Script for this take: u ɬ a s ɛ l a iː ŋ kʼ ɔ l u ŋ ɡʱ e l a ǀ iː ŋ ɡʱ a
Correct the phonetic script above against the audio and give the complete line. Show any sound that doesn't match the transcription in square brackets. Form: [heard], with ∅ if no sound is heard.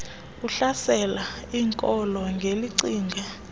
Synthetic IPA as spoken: u ɬ a s ɛ l a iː ŋ kʼ ɔ l [ɔ] ŋ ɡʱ e l [i] ǀ iː ŋ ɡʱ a

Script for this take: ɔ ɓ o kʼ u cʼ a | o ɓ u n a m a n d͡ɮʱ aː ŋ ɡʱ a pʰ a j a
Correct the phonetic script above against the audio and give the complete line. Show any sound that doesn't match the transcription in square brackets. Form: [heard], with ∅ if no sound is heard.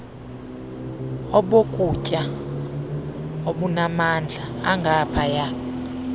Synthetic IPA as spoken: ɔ ɓ o kʼ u cʼ a | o ɓ u n a m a n d͡ɮʱ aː ŋ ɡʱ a pʰ a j a

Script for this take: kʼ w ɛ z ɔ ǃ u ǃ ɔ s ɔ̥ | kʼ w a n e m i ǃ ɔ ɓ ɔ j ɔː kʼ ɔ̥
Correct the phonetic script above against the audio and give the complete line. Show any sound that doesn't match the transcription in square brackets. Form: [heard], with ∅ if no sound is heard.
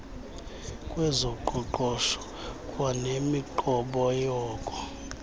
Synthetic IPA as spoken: kʼ w ɛ z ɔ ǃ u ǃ ɔ [ʃ] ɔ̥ | kʼ w a n e m i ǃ ɔ ɓ ɔ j ɔː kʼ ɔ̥

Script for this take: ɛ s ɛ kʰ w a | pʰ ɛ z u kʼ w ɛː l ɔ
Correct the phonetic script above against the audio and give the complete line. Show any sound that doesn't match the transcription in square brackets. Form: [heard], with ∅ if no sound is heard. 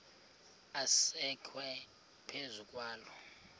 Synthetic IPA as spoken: [a] s ɛ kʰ w [ɛ] | pʰ [e] z u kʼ w [aː] l ɔ

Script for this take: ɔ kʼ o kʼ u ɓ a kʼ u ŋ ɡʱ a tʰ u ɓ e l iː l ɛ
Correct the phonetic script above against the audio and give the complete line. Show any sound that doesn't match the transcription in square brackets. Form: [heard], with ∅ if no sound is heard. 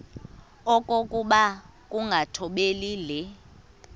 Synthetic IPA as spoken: ɔ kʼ o kʼ u ɓ a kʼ u ŋ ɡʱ a tʰ [ɔ] ɓ e l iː l ɛ

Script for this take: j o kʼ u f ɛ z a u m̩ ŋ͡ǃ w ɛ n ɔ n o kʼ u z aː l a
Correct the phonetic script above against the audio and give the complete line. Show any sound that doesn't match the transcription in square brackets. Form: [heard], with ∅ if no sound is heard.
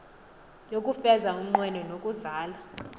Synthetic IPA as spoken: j o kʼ u f ɛ z a u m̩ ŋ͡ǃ w ɛ n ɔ n o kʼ u z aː l a

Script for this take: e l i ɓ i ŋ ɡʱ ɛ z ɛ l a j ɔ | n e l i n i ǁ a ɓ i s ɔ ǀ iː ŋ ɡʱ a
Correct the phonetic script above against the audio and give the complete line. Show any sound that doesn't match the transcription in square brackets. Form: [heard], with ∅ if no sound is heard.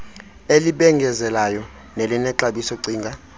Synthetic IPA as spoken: e l i ɓ [ɛ] ŋ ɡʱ ɛ z ɛ l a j ɔ | n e l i n [ɛ] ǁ a ɓ i s ɔ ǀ iː ŋ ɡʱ a

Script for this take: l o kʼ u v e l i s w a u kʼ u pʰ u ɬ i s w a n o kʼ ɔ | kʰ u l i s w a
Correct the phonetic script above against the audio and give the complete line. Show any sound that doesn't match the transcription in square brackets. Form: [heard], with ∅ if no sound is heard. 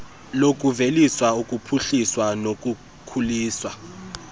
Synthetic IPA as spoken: l o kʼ u v e l i s w a u kʼ u pʰ u ɬ i s w a n o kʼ [u] | kʰ u l [iː] s w a

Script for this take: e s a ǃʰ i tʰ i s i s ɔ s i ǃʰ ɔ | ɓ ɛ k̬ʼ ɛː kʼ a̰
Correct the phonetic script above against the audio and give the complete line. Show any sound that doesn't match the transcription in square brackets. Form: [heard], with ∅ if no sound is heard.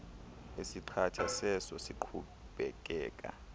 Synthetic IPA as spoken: e s [i] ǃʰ [a] tʰ [a] s [ɛ] s ɔ s i ǃʰ [u] | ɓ ɛ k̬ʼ ɛː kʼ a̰

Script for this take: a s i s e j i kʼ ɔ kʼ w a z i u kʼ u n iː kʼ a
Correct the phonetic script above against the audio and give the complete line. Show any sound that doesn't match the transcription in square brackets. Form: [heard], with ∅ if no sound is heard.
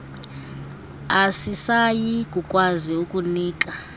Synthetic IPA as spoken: a s i s [a] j i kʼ [u] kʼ w a z i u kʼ u n iː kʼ a

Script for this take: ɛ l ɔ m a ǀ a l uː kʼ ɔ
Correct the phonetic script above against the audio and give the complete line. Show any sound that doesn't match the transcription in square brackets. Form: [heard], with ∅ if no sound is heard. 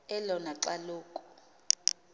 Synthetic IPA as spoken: ɛ l ɔ [n] a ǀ a l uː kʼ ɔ

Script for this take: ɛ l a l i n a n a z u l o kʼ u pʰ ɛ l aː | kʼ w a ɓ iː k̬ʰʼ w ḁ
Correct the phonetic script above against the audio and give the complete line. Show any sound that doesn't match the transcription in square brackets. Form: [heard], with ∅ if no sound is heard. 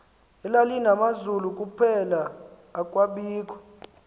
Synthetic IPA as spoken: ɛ l a l i n a [m] a z u l [u] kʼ u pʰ ɛ l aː | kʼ w a ɓ iː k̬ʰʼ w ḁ

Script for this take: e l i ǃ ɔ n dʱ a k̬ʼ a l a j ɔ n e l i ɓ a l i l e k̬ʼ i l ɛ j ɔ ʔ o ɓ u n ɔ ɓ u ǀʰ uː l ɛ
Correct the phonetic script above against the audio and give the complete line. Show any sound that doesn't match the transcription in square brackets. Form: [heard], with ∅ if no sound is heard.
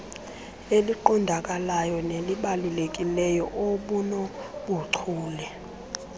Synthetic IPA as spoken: e l i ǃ ɔ n dʱ a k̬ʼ a l a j ɔ n e l i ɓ a l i l e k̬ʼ i l ɛ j ɔ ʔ o ɓ u n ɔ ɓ u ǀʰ uː l ɛ

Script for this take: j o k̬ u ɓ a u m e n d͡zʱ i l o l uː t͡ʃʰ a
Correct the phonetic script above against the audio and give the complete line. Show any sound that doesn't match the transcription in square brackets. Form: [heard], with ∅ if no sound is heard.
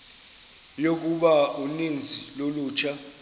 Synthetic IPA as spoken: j o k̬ u ɓ a u [n] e n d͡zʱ i l o l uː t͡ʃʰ a

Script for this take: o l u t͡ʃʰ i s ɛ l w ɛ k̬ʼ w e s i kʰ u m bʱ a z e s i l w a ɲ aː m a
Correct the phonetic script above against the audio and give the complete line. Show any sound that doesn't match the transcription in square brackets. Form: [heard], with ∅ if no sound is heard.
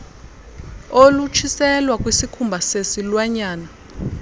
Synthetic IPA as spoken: o l u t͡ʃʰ i s ɛ l w [a] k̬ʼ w [i] s i kʰ u m bʱ a [s] e s i l w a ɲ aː [n] a

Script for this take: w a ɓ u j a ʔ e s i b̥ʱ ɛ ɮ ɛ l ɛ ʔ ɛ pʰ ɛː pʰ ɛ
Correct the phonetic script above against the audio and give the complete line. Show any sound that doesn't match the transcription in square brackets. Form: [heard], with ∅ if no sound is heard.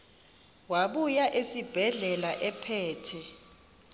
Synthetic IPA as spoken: w a ɓ u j a ʔ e s i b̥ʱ ɛ ɮ ɛ l [a] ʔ ɛ pʰ ɛː [tʰ] ɛ

